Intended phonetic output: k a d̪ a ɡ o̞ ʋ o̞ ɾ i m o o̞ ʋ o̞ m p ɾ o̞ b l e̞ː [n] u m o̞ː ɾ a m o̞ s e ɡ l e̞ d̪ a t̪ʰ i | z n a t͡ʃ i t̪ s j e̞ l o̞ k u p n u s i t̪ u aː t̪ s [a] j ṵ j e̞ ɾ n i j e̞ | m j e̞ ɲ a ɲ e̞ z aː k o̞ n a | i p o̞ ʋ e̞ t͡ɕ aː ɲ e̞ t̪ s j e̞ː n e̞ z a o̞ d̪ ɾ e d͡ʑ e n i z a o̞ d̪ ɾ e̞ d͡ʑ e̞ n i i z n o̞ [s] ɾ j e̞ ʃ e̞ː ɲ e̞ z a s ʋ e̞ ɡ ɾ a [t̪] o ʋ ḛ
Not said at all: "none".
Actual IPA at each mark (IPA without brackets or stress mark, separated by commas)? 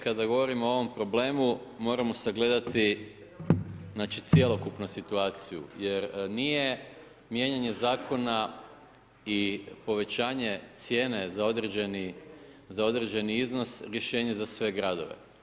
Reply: m, i, s, d̪